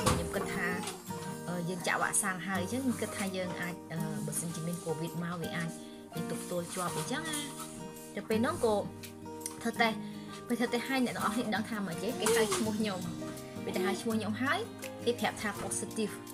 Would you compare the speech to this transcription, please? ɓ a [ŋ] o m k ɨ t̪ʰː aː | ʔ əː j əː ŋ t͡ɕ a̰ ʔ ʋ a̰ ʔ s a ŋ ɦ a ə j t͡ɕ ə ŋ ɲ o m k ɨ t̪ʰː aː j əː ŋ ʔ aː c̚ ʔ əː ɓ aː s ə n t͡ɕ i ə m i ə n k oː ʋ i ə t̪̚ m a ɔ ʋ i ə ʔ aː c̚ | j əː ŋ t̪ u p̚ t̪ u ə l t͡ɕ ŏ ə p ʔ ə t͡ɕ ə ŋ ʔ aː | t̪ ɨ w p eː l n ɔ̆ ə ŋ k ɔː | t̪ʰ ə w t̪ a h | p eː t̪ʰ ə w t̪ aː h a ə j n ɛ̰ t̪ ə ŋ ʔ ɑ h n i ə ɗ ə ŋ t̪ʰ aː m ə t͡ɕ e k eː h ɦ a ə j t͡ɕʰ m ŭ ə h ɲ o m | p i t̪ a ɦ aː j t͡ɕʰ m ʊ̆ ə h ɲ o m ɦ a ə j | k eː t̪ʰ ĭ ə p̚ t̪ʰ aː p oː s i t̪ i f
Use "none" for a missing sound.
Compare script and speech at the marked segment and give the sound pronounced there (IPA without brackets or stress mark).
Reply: ɲ